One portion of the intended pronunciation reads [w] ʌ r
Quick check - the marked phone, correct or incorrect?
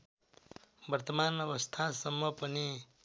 incorrect